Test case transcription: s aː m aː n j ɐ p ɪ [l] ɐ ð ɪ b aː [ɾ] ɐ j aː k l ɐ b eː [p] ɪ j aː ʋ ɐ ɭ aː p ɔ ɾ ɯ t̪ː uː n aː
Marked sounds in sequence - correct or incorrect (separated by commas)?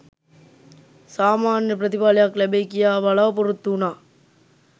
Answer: incorrect, incorrect, incorrect